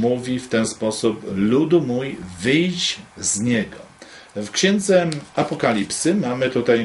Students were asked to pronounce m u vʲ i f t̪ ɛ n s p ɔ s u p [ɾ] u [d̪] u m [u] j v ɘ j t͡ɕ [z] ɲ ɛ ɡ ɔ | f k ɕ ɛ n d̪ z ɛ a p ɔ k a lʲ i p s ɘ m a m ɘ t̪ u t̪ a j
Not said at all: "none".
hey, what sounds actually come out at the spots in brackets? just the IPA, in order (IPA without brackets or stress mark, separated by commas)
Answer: l, d̪, u, z